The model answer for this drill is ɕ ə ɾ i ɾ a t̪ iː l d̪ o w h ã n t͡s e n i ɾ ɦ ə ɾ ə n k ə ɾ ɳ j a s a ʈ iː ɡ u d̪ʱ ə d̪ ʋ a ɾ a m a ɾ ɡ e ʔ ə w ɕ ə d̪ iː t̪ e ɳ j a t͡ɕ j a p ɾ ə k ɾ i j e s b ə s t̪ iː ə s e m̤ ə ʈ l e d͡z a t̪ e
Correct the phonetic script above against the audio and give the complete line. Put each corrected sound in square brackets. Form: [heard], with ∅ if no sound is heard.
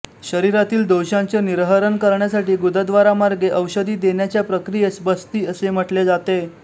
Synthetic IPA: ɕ ə ɾ i ɾ a t̪ iː l d̪ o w [ɕ] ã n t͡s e n i ɾ ɦ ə ɾ ə n k ə ɾ ɳ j a s a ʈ iː ɡ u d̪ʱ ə d̪ ʋ a ɾ a m a ɾ ɡ e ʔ ə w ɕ ə d̪ iː [d̪] e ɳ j a t͡ɕ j a p ɾ ə k ɾ i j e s b ə s t̪ iː ə s e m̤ ə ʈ l e d͡z a t̪ e

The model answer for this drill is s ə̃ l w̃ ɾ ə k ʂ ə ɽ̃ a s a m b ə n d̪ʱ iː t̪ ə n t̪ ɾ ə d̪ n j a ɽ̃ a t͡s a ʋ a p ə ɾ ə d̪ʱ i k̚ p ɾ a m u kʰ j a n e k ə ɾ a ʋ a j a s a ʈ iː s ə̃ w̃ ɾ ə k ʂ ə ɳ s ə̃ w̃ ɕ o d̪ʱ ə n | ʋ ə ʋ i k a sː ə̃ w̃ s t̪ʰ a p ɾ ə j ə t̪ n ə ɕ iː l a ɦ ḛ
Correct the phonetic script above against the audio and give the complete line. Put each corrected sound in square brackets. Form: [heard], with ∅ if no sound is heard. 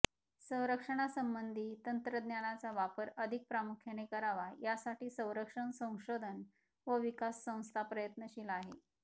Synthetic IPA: s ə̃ [∅] w̃ ɾ ə k ʂ ə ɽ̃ a s [ə] m b ə n d̪ʱ iː t̪ ə n t̪ ɾ ə d̪ n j a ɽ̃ a t͡s a ʋ a p ə ɾ ə d̪ʱ i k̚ p ɾ a m u kʰ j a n e k ə ɾ a ʋ a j a s a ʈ iː s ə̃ w̃ ɾ ə k ʂ ə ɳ s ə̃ w̃ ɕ o d̪ʱ ə n | ʋ ə ʋ i k a sː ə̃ w̃ s t̪ʰ a p ɾ ə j ə t̪ n ə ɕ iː l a ɦ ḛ

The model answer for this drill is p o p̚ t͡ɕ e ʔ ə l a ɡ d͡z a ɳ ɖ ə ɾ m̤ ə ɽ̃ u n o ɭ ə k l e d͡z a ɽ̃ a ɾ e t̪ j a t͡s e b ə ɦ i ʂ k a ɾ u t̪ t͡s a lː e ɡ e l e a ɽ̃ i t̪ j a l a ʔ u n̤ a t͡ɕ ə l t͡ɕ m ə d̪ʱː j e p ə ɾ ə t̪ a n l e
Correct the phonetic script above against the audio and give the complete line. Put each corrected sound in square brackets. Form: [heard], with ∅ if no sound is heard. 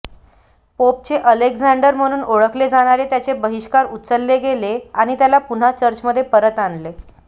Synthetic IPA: p o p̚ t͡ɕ e ʔ ə l [e] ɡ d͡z a ɳ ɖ ə ɾ m̤ ə ɽ̃ [uː] n o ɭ ə k l e d͡z a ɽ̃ a ɾ e t̪ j a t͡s e b ə ɦ i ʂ k a ɾ u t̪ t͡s [ə] lː e ɡ e l e a ɽ̃ i t̪ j a l a [p] u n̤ a t͡ɕ ə [ɾ] t͡ɕ m ə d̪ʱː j e p ə ɾ ə t̪ a n l e

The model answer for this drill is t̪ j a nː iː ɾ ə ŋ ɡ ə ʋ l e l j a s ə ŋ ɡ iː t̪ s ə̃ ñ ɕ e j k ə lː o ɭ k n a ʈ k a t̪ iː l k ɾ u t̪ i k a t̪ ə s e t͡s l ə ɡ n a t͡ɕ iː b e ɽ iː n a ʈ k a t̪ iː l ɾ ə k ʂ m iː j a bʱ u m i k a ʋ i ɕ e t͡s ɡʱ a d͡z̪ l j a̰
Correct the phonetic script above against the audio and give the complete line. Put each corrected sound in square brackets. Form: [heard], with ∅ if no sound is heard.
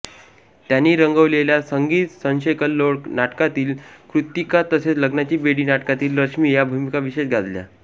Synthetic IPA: t̪ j a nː iː ɾ ə ŋ ɡ ə ʋ l e l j a s ə ŋ ɡ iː t̪ s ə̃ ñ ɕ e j k ə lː o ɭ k n a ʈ k a t̪ iː l k ɾ u t̪ i k a t̪ ə s e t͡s l ə ɡ n a t͡ɕ iː b e ɽ iː n a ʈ k a t̪ iː l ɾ ə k ʂ m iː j a bʱ u m i k a ʋ i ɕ e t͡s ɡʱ a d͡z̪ l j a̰

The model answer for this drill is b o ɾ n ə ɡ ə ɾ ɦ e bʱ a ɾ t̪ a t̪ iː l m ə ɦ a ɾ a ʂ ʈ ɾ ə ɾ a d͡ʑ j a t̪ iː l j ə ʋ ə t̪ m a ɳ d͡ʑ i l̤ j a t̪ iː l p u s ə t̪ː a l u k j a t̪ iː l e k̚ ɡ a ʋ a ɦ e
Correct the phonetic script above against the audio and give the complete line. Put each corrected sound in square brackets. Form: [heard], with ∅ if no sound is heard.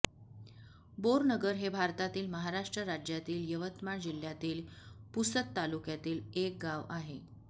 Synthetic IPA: b o ɾ n ə ɡ ə ɾ ɦ e bʱ a ɾ t̪ a t̪ iː l m ə ɦ a ɾ a ʂ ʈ ɾ ə ɾ a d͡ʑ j a t̪ iː l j ə ʋ ə t̪ m a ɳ d͡ʑ i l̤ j a t̪ iː l p u s ə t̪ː a l u k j a t̪ iː l e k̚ ɡ a ʋ a ɦ e

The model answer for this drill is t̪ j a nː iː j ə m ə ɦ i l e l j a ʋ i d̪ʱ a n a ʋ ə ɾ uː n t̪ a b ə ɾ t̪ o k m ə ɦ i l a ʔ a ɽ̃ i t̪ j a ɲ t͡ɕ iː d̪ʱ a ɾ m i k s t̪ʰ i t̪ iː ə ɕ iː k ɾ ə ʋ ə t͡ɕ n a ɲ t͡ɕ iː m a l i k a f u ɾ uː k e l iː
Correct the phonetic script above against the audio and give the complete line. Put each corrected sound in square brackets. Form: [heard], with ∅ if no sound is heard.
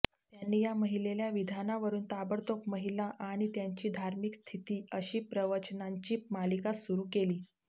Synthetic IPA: t̪ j a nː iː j [a] m ə ɦ i l e l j a ʋ i d̪ʱ a n a ʋ ə ɾ uː n t̪ a b ə ɾ t̪ o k m ə ɦ i l a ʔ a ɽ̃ i t̪ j a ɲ t͡ɕ iː d̪ʱ a ɾ m i k s t̪ʰ i t̪ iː ə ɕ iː [p] ɾ ə ʋ ə t͡ɕ n a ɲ t͡ɕ iː m a l i k a [s] u ɾ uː k e l iː

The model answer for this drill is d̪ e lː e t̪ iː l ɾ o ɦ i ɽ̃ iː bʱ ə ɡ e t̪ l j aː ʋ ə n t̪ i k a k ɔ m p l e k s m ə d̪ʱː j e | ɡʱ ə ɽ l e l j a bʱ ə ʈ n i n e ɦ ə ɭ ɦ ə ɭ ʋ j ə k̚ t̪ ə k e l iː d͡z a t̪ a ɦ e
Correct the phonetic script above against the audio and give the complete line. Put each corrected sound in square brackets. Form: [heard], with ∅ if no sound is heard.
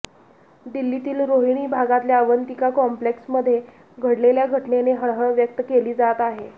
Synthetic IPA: d̪ [i] lː [i] t̪ iː l ɾ o ɦ i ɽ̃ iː bʱ [a] ɡ [a] t̪ l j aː ʋ ə n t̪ i k a k ɔ m p l e k s m ə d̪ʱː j e | ɡʱ ə ɽ l e l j a [ɡʱ] ə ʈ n [e] n e ɦ ə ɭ ɦ ə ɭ ʋ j ə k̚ t̪ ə k e l iː d͡z a t̪ a ɦ e

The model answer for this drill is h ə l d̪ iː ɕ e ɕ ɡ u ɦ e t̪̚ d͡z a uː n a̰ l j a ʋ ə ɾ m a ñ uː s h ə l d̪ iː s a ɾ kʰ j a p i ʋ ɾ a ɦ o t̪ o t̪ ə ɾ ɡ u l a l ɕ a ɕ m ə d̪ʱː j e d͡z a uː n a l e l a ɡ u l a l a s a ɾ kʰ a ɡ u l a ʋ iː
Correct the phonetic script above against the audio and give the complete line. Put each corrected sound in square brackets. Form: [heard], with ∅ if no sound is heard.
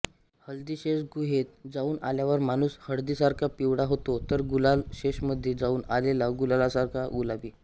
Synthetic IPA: h ə l d̪ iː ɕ e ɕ ɡ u ɦ e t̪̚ d͡z a uː n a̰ l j a ʋ ə ɾ m a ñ uː s h ə [ɽ] d̪ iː s a ɾ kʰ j a p i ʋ [ɽ] a ɦ o t̪ o t̪ ə ɾ ɡ u l a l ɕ [e] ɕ m ə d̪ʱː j e d͡z a uː n a l e l a ɡ u l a l a s a ɾ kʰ a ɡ u l a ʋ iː

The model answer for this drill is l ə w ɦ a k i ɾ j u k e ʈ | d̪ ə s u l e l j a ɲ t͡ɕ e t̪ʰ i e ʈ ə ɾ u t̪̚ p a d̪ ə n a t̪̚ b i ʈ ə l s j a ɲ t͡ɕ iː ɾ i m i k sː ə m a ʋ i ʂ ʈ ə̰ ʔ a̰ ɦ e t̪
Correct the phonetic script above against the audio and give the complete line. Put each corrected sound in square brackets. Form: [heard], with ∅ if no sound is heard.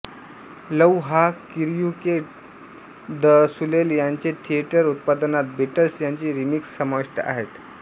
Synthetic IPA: l ə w ɦ a k i ɾ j u k e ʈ | d̪ ə s u l e l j a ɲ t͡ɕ e t̪ʰ i e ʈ ə ɾ u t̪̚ p a d̪ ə n a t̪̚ b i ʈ ə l s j a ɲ t͡ɕ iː ɾ i m i k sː ə m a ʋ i ʂ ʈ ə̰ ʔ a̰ ɦ e t̪

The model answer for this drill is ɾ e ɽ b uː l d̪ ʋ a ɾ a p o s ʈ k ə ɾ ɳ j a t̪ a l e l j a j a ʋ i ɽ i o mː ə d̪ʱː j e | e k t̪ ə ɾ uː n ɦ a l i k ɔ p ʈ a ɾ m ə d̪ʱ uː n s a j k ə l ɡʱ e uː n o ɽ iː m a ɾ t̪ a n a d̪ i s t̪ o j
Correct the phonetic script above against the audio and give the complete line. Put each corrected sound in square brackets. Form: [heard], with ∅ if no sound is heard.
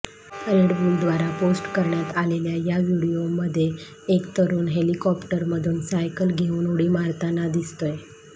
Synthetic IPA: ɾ e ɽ b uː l d̪ ʋ a ɾ a p o s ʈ k ə ɾ ɳ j a t̪ a l e l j a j a ʋ i ɽ i o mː ə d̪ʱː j e | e k t̪ ə ɾ uː n ɦ [e] l i k ɔ p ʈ [ə] ɾ m ə d̪ʱ uː n s a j k ə l ɡʱ e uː n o ɽ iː m a ɾ t̪ a n a d̪ i s t̪ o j

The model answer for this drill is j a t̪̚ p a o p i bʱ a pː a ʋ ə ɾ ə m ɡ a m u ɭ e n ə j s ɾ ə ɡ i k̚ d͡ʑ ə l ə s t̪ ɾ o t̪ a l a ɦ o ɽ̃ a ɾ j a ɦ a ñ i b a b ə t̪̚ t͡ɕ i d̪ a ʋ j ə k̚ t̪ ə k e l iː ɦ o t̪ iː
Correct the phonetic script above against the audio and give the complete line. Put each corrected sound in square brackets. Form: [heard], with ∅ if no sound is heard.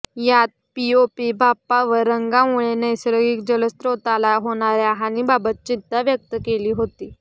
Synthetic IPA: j a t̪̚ p [i] o p i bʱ a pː a ʋ ə ɾ ə [ŋ] ɡ a m u ɭ e n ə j s ɾ ə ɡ i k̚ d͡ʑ ə l ə s t̪ ɾ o t̪ a l a ɦ o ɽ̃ a ɾ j a ɦ a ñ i b a b ə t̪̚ t͡ɕ i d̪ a ʋ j ə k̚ t̪ ə k e l iː ɦ o t̪ iː

